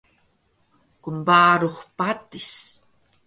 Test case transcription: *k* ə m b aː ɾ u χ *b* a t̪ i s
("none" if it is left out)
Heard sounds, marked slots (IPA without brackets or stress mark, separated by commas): k, p